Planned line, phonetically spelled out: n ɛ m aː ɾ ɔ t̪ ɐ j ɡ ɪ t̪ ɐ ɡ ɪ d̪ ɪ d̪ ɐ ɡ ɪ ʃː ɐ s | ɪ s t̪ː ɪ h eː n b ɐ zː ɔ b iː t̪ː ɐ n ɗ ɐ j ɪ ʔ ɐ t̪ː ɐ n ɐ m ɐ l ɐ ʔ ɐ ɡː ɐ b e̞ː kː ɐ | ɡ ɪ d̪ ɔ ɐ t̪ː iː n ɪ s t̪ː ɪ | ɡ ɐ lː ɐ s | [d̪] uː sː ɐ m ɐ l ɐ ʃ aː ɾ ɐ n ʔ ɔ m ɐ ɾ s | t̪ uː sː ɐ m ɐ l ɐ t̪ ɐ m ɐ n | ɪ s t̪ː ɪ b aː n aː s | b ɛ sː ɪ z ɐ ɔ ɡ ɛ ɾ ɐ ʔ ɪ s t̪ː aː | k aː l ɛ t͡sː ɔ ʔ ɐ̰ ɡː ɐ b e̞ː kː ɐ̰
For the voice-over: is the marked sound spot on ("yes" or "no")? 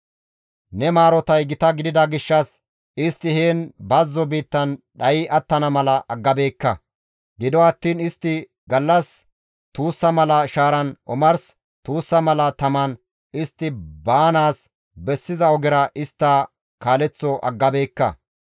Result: no